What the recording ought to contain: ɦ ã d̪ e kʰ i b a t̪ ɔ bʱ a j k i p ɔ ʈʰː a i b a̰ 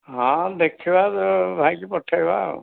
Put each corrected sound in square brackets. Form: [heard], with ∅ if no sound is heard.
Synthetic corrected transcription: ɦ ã d̪ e kʰ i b a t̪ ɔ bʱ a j k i p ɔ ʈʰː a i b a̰